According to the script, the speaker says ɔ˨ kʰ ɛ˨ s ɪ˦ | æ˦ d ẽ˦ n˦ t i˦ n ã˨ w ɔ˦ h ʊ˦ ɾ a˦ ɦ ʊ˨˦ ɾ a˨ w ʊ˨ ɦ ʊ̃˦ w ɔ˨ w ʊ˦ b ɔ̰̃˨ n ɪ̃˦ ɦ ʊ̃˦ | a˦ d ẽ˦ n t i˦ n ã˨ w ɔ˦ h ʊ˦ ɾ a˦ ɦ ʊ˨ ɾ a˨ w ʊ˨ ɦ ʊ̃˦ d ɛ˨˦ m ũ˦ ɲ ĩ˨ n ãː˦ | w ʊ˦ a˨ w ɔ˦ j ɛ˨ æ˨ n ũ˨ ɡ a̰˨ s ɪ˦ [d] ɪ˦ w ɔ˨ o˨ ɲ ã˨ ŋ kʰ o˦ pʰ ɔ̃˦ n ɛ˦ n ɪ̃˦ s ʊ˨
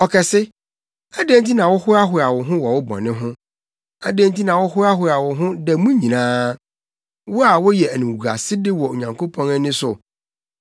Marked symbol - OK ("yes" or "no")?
yes